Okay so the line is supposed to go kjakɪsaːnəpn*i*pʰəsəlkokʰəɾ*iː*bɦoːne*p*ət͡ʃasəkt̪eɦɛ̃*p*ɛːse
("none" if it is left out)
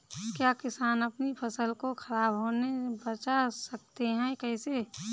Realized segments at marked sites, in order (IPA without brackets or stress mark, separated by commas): i, aː, b, k